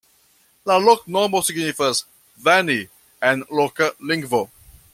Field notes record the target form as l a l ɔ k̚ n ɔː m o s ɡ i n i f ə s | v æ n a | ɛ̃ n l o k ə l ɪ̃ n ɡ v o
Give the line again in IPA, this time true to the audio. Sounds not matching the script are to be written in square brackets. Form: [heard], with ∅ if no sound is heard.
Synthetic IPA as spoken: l a l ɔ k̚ n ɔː m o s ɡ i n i f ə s | v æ n [i] | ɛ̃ n l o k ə l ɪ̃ [ŋ] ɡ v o